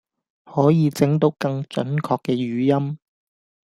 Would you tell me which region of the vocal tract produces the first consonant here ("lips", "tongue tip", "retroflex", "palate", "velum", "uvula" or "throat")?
throat